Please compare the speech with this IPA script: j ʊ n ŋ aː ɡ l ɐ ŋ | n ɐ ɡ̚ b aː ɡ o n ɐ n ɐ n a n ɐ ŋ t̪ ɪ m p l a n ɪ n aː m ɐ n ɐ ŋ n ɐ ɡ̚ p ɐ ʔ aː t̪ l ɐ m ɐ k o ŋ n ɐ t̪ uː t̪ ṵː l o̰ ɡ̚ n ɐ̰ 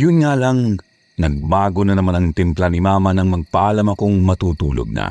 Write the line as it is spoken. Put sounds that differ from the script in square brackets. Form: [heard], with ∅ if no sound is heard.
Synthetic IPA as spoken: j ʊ n ŋ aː [∅] l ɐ ŋ | n ɐ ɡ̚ b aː ɡ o n ɐ n ɐ [m] a n ɐ ŋ t̪ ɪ m p l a n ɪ [m] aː m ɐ n ɐ ŋ [m] ɐ ɡ̚ p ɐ ʔ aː [∅] l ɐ m ɐ k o ŋ [m] ɐ t̪ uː t̪ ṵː l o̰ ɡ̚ n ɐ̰